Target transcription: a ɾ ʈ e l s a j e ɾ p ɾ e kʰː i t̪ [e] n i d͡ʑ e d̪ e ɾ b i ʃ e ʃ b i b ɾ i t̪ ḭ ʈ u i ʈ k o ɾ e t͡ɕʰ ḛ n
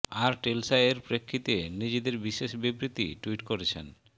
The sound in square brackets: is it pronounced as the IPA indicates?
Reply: yes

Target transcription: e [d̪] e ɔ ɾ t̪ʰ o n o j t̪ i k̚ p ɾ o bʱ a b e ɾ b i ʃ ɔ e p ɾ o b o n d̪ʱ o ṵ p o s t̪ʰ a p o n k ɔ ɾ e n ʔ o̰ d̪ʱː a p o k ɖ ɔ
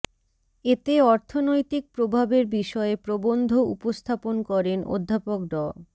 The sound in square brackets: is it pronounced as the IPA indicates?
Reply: no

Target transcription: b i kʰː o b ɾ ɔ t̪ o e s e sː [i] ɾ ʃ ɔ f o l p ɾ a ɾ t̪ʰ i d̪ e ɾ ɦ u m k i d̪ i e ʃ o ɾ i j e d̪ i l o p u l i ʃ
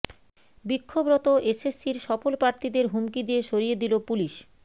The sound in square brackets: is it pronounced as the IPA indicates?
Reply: yes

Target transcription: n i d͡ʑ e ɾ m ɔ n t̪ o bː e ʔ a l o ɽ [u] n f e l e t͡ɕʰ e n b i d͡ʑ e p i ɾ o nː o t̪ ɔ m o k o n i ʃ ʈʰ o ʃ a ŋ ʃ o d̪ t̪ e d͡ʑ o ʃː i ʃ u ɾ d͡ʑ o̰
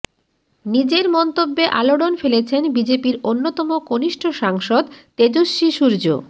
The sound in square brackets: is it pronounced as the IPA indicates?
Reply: no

